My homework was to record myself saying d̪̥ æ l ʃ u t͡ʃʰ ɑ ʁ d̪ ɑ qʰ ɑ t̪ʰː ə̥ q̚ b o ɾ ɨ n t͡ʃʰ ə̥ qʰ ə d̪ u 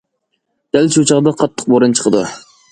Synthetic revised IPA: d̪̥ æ l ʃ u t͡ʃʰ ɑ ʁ d̪ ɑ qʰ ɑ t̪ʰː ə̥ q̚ b o ɾ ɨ n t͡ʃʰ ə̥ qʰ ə d̪ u